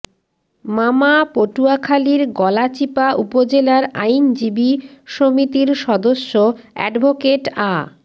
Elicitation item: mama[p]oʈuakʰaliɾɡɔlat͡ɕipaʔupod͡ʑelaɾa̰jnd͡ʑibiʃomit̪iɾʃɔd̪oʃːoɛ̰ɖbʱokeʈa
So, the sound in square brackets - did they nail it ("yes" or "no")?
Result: yes